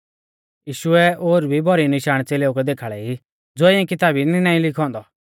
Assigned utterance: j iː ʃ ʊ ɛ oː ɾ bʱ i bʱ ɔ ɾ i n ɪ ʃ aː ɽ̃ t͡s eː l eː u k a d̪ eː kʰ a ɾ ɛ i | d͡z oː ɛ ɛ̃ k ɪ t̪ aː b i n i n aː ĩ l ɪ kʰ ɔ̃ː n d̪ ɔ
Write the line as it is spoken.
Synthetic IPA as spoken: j iː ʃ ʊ ɛ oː ɾ bʱ i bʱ ɔ ɾ i n ɪ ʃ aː ɽ̃ t͡s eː l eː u k ɛ d̪ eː kʰ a ɭ ɛ i | d͡z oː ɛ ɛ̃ k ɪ t̪ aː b i n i n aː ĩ l ɪ kʰ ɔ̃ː n d̪ ɔ